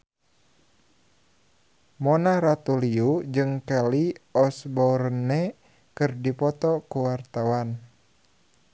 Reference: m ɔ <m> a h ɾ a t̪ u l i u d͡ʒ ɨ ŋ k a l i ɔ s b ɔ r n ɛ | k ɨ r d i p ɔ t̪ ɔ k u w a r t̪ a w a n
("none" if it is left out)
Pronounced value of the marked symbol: n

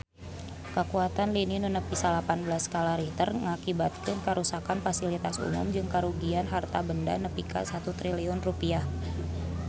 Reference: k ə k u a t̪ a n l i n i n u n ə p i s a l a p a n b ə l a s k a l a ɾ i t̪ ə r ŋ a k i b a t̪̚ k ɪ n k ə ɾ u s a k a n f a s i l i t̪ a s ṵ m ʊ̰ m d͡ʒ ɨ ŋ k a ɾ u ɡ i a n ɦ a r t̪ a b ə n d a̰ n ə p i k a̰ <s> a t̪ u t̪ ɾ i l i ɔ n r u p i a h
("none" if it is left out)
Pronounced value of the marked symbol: s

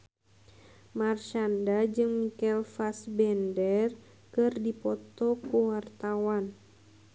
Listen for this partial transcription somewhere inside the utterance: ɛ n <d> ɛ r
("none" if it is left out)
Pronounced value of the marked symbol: d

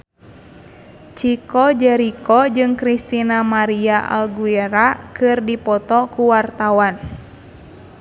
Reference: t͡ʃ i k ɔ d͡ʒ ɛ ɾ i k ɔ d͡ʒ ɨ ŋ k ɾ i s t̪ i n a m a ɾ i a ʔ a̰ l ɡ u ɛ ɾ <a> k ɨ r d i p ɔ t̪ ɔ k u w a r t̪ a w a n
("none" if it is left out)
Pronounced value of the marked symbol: a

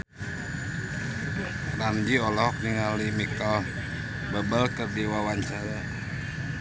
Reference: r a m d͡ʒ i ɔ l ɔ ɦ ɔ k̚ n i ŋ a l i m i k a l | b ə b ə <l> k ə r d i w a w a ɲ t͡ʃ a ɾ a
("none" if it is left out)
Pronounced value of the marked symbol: l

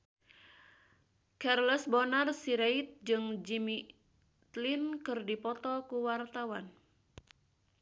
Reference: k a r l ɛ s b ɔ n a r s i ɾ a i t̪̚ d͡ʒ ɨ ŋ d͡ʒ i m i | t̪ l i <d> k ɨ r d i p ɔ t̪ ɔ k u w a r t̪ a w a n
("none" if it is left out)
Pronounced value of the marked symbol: n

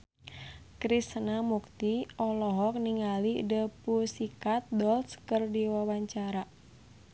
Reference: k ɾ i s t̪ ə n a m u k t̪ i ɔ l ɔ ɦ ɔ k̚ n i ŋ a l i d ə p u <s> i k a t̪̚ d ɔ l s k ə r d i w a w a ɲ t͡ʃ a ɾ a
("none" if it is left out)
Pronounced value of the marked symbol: s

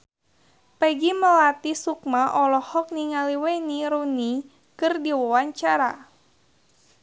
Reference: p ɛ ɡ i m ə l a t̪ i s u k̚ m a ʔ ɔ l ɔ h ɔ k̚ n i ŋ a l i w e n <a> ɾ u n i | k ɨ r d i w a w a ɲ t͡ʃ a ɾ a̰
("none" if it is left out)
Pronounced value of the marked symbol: i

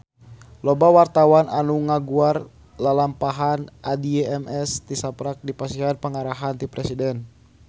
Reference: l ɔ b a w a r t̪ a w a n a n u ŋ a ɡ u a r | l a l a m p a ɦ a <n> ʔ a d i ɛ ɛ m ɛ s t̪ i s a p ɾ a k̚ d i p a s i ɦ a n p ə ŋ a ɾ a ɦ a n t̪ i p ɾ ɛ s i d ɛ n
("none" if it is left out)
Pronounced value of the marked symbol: n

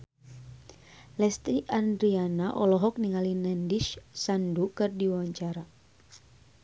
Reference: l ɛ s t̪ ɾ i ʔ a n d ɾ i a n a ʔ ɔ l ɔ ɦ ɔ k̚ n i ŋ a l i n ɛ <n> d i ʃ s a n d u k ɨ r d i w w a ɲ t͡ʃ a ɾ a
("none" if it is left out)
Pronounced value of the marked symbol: n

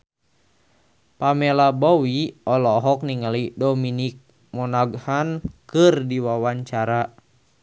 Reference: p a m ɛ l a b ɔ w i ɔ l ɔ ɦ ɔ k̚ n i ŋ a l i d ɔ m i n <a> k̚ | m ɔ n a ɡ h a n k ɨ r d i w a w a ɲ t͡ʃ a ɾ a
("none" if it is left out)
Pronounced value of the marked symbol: i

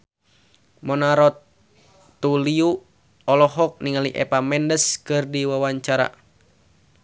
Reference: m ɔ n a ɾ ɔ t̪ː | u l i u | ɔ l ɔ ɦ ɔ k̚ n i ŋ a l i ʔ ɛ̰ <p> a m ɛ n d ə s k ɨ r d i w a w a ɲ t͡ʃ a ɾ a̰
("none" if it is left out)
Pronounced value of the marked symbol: p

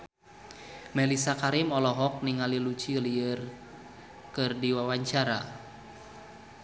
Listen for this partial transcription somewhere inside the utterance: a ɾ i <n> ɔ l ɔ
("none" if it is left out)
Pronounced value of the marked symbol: m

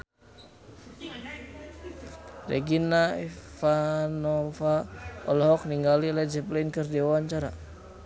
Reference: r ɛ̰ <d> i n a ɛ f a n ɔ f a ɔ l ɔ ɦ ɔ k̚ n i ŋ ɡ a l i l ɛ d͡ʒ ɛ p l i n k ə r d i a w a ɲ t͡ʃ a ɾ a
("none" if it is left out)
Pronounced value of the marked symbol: ɡ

